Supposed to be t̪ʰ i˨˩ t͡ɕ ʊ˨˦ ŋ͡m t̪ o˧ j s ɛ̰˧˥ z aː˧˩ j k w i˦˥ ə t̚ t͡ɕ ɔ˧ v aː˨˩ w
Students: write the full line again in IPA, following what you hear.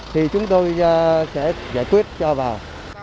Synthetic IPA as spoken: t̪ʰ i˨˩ t͡ɕ ʊ˨˦ ŋ͡m t̪ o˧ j s ɛ̰˧˥ z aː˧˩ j k w i˦˥ ə t̚ t͡ɕ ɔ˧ v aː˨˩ w